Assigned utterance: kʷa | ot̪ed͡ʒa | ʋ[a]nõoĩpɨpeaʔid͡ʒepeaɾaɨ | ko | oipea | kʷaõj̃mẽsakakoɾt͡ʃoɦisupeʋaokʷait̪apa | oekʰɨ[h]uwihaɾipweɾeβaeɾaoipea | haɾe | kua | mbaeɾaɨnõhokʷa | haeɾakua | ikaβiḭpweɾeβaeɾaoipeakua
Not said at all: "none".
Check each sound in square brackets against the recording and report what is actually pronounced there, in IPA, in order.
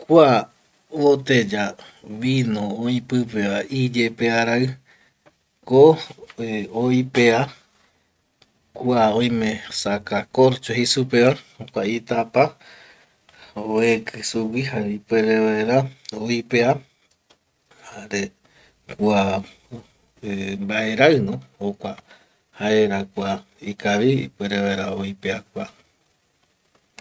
i, s

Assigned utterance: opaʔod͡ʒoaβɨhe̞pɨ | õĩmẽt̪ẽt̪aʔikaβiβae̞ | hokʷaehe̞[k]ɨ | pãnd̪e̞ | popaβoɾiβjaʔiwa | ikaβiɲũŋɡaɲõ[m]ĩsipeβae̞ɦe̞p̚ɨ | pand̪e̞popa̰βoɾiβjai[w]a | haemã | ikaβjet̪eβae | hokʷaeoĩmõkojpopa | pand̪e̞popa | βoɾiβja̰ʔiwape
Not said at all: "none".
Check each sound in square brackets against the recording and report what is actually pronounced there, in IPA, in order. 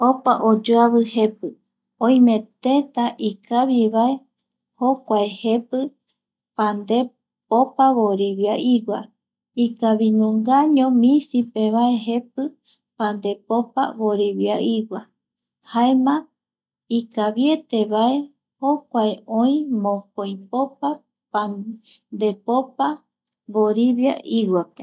p, m, w

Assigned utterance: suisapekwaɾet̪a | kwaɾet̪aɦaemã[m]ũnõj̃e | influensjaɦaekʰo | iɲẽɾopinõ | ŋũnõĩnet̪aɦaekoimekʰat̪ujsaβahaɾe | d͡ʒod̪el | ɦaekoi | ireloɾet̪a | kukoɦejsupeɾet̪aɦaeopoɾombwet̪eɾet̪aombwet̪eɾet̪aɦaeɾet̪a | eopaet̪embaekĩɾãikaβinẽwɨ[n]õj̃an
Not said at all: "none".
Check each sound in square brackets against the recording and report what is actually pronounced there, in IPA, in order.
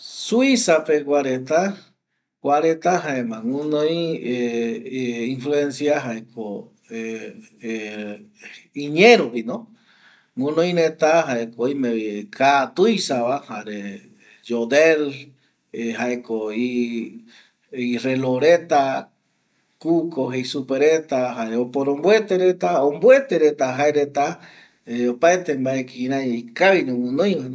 ŋ, n

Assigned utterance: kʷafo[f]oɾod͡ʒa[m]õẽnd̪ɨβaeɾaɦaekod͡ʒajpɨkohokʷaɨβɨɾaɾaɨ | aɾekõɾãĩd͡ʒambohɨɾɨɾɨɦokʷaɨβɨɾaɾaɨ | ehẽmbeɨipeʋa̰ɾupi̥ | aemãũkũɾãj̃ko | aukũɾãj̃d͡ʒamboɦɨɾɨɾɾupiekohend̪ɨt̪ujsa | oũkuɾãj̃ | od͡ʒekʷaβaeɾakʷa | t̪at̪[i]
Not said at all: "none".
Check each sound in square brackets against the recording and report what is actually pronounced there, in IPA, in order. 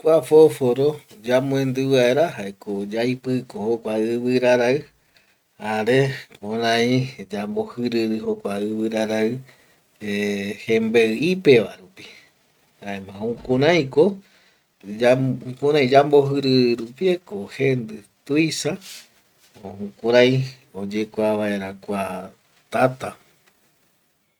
f, m, a

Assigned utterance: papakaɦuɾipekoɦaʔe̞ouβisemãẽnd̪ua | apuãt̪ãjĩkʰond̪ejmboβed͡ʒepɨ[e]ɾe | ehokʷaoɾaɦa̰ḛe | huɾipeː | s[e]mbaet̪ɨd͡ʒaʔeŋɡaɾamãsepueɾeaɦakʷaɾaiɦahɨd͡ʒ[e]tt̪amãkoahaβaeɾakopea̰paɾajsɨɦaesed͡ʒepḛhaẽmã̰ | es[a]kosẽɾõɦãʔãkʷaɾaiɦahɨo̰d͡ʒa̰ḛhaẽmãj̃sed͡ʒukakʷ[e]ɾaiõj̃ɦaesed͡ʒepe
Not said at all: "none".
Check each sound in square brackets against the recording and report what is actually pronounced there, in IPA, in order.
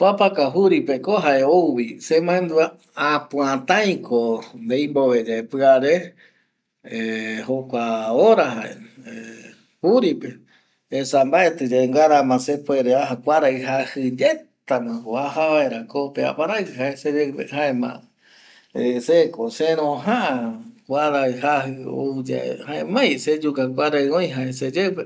a, a, e, e, a

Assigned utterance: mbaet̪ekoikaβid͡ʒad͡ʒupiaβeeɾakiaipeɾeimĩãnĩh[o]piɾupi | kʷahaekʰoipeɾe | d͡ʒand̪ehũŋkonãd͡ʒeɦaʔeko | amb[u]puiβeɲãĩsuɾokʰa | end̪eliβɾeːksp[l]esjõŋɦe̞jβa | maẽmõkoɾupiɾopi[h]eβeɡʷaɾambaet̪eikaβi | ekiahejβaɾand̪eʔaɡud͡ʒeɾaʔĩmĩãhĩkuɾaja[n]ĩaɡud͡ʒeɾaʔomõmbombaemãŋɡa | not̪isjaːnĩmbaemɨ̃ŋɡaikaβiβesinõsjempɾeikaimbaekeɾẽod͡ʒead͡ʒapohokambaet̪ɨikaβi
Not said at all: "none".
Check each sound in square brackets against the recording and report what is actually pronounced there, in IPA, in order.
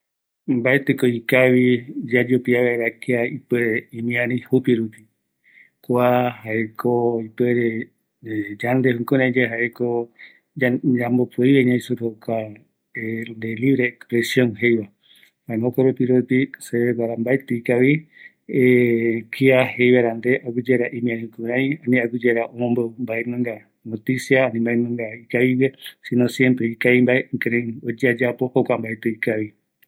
u, o, ɾ, s, n

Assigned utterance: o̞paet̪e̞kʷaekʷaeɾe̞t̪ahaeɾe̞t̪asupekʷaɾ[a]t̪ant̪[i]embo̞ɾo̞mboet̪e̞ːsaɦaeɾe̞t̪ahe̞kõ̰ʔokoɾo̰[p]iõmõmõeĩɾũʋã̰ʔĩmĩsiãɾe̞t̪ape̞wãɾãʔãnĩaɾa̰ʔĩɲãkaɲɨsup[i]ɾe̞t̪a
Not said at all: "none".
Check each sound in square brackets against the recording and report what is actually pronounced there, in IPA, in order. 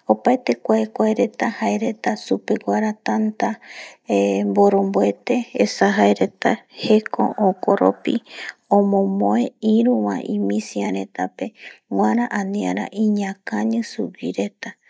a, a, p, i

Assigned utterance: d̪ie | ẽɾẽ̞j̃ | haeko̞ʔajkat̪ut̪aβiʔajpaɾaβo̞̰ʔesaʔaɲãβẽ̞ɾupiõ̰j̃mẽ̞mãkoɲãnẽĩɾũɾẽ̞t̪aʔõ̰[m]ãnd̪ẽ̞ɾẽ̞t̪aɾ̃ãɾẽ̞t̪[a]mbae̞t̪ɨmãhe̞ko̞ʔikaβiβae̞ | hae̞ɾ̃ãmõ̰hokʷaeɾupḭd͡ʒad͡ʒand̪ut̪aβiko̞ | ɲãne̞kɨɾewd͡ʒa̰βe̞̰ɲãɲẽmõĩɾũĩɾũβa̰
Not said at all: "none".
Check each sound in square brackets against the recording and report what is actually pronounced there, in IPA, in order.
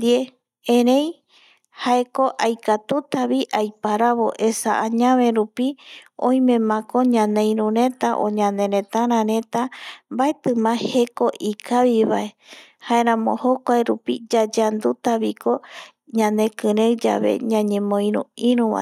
ɲ, a

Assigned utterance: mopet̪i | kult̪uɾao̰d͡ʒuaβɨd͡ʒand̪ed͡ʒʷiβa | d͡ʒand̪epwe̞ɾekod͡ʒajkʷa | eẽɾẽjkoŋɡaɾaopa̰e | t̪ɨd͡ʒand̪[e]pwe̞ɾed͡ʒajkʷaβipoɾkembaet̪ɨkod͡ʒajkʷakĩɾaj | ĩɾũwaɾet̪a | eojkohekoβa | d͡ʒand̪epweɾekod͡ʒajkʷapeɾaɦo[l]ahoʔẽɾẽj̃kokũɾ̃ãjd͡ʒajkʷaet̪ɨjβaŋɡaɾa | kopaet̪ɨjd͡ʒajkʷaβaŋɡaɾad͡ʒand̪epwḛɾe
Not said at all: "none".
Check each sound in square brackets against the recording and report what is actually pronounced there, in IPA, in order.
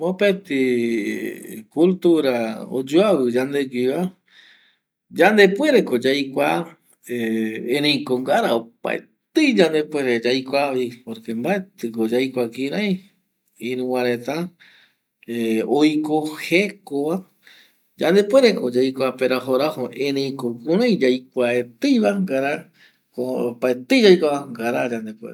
e, ɾ

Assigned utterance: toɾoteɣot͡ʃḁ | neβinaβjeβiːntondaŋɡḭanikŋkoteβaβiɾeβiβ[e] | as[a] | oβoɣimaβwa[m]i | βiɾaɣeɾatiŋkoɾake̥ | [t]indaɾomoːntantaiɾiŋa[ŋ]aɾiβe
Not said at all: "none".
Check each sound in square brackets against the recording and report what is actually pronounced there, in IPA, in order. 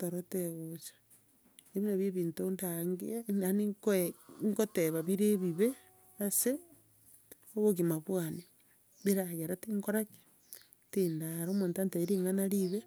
e, e, n, t, n

